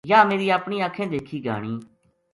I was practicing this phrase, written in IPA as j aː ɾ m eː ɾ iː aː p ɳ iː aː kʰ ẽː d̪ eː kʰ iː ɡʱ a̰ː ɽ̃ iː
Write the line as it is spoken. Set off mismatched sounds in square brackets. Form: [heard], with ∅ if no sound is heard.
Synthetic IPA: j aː [∅] m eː ɾ iː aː p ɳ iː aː kʰ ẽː d̪ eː kʰ iː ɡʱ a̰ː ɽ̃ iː

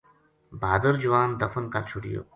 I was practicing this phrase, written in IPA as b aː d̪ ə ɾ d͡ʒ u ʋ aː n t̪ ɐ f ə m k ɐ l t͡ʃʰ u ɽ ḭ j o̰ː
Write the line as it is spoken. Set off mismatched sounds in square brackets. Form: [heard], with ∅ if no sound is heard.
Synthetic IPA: b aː d̪ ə ɾ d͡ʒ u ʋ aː n [d̪] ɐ f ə [n] k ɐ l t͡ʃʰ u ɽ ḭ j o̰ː

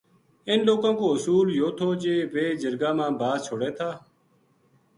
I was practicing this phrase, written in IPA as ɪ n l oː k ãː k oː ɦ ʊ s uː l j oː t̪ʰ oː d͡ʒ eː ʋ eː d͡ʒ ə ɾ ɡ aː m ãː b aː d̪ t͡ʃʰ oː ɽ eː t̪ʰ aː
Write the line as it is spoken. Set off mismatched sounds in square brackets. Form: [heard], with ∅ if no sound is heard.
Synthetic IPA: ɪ n l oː k ãː k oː ɦ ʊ s uː l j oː t̪ʰ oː d͡ʒ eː ʋ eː d͡ʒ ə ɾ ɡ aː m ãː b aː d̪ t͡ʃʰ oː ɽ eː t̪ʰ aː

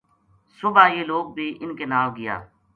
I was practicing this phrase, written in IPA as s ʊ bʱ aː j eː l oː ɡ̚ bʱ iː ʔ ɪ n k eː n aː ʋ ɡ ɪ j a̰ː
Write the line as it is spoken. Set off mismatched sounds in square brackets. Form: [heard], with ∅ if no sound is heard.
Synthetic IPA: s ʊ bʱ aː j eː l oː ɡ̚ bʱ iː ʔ ɪ n k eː n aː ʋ ɡ ɪ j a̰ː

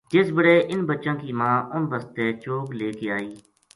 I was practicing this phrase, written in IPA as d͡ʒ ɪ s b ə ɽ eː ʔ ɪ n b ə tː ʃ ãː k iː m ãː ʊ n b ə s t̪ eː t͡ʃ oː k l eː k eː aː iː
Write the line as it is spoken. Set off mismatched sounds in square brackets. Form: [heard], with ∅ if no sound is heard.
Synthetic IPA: d͡ʒ ɪ s b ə ɽ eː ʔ ɪ n b ə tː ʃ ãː k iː m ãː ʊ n b ə s t̪ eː t͡ʃ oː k l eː k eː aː iː

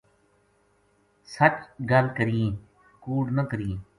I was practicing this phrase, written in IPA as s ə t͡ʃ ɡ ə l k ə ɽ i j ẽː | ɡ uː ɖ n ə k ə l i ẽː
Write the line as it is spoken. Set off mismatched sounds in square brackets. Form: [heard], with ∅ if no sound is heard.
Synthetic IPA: s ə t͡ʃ ɡ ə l k ə [ɾ] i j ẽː | [k] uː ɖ n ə k ə [ɾ] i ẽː

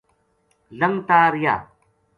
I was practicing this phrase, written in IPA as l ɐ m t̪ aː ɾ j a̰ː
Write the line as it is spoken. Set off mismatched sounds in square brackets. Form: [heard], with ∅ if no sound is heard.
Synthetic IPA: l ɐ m t̪ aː ɾ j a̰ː

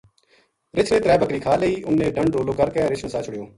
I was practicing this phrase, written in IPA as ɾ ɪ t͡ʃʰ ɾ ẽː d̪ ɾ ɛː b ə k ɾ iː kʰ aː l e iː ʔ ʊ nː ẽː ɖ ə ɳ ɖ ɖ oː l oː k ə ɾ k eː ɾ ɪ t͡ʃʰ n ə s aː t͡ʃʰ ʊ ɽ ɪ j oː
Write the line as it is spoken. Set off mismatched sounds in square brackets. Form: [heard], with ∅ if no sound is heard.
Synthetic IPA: ɾ ɪ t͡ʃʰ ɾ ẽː [t̪] ɾ ɛː b ə k ɾ iː kʰ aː l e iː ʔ ʊ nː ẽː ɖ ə ɳ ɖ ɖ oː l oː k ə ɾ k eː ɾ ɪ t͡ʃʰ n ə s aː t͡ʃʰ ʊ ɽ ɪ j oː

